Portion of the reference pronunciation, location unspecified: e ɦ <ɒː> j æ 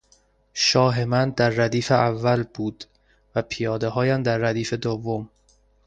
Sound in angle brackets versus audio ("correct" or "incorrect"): correct